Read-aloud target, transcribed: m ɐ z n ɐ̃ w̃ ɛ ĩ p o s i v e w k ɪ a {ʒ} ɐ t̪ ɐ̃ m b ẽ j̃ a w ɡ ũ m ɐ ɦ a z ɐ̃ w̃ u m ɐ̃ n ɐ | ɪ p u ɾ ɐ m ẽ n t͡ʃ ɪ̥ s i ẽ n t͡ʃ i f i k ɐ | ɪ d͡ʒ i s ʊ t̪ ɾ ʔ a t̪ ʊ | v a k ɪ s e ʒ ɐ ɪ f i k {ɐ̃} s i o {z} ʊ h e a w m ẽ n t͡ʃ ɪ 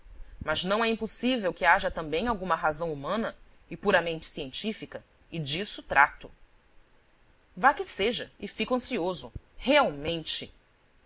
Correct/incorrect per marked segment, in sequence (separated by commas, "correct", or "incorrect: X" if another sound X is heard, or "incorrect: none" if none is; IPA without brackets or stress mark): correct, correct, correct